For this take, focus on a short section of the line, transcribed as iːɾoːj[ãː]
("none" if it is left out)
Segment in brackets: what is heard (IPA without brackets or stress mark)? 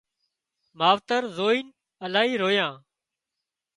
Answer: ãː